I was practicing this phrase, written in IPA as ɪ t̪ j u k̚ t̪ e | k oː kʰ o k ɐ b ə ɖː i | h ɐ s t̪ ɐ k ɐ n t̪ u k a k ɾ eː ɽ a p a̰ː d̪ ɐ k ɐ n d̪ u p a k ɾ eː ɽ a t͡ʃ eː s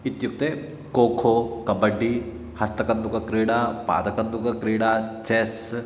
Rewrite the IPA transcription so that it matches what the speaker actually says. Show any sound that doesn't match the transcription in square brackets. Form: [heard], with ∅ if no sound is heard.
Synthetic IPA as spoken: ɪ t̪ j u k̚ t̪ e | k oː kʰ o k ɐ b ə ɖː i | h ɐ s t̪ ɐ k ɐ n [d̪] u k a k ɾ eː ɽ a p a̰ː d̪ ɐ k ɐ n d̪ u [k] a k ɾ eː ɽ a t͡ʃ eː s

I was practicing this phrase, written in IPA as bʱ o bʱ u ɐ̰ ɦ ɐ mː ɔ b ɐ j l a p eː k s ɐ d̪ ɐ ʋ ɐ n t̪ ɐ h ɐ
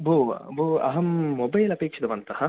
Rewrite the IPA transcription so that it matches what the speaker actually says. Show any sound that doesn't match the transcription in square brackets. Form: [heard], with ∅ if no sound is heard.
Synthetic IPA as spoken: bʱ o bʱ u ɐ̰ ɦ ɐ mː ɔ b ɐ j l [ɐ] p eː k [ʂ] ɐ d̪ ɐ ʋ ɐ n t̪ ɐ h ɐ

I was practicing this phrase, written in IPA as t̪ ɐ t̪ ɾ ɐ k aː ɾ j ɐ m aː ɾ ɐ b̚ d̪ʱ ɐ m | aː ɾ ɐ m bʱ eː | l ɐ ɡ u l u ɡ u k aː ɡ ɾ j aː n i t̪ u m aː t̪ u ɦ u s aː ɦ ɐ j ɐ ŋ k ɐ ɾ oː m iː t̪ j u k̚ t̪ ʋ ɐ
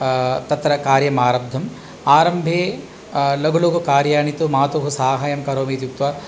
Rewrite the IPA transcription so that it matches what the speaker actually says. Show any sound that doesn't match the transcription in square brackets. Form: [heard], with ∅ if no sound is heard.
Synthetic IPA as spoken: t̪ ɐ t̪ ɾ ɐ k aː ɾ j ɐ m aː ɾ ɐ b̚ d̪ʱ ɐ m | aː ɾ ɐ m bʱ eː | l ɐ ɡ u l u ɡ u k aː [∅] ɾ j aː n i t̪ u m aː t̪ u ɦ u s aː ɦ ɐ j ɐ [m] k ɐ ɾ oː m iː t̪ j u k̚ t̪ ʋ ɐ

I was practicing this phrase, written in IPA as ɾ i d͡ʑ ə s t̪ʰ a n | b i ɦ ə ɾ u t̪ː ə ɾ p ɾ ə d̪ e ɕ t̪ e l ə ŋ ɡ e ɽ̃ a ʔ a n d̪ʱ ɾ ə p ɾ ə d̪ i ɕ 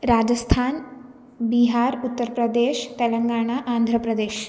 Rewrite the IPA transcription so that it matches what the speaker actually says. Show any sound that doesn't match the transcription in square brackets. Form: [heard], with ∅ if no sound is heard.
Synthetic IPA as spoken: ɾ [a] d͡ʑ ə s t̪ʰ a n | b i ɦ [a] ɾ u t̪ː ə ɾ p ɾ ə d̪ e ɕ t̪ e l ə ŋ ɡ [a] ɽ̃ a ʔ a n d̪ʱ ɾ ə p ɾ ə d̪ [e] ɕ

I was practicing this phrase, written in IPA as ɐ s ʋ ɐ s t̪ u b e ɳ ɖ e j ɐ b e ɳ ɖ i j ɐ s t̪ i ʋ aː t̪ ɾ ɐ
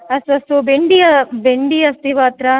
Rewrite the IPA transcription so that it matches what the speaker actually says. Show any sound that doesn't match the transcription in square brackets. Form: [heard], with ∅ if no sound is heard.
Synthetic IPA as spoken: ɐ s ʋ ɐ s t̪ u b e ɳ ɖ [i] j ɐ b e ɳ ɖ i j ɐ s t̪ i ʋ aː t̪ ɾ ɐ

